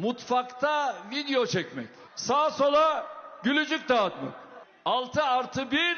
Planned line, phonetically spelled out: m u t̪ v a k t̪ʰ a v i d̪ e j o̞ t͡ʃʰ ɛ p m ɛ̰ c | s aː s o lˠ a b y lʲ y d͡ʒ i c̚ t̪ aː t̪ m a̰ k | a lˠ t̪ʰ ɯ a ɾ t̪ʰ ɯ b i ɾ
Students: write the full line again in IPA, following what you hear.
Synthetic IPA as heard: m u t̪ f a k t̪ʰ a v i d̪ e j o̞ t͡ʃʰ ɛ c m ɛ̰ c | s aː s o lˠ a ɟ y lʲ y d͡ʒ y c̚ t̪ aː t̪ m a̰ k | a lˠ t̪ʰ ɯ a ɾ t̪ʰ ɯ b i ɾ